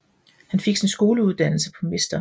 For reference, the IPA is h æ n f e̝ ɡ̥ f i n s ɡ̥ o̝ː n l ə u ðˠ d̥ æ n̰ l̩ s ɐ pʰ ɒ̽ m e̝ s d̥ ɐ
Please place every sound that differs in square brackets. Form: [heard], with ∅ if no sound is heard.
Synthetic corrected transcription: h æ n f e̝ ɡ̥ [s] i n s ɡ̥ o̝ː [∅] l ə u ðˠ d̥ æ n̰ l̩ s [ə] pʰ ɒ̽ m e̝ s d̥ ɐ